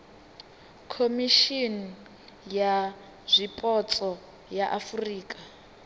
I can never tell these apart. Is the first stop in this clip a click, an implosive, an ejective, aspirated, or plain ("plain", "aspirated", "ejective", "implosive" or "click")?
aspirated